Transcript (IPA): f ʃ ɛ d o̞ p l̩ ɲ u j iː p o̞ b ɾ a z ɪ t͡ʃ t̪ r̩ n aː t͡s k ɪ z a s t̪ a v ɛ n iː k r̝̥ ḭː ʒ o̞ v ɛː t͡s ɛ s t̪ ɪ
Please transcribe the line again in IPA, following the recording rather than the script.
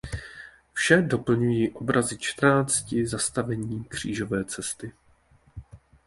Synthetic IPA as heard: f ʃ ɛ d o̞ p l̩ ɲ u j iː ʔ o̞ b ɾ a z ɪ t͡ʃ t̪ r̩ n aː t͡s c ɪ z a s t̪ a v ɛ ɲ iː k r̝̥ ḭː ʒ o̞ v ɛː t͡s ɛ s t̪ ɪ